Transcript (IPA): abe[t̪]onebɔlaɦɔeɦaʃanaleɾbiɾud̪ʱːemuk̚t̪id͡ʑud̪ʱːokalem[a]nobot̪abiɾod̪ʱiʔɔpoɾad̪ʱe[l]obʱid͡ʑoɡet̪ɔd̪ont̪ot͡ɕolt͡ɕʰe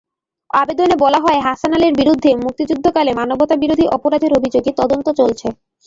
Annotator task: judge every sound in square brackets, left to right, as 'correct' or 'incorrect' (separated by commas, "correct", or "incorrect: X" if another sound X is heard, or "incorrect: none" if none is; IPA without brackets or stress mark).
incorrect: d̪, correct, incorrect: ɾ